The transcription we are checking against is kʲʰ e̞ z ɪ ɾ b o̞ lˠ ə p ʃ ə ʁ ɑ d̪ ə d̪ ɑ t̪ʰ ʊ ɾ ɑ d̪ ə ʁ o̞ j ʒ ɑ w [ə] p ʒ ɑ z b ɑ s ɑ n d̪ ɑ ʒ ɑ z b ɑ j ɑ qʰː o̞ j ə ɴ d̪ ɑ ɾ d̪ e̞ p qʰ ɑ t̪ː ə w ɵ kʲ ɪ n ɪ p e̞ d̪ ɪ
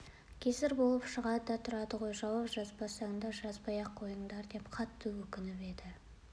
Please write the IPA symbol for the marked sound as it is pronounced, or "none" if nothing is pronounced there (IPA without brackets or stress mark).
ɑ